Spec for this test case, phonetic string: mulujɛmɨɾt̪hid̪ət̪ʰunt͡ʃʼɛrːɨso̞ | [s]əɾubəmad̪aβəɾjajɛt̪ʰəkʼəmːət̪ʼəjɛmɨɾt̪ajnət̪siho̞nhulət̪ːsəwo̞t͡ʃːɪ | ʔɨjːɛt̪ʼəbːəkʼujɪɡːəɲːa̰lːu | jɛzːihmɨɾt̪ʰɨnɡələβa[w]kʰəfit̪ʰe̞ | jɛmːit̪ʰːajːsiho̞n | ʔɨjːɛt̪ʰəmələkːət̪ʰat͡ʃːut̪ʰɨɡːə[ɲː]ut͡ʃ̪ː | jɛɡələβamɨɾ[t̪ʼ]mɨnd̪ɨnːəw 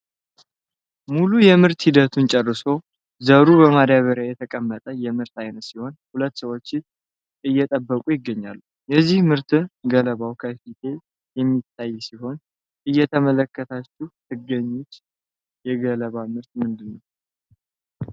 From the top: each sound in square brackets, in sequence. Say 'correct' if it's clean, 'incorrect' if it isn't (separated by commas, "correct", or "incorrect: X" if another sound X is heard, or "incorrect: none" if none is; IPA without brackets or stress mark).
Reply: incorrect: z, correct, correct, incorrect: t̪